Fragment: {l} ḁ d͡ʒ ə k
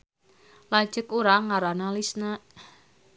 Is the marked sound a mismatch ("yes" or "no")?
no